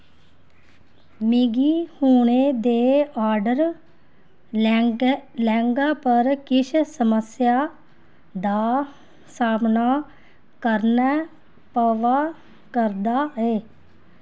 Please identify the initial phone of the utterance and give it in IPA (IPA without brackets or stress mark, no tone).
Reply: m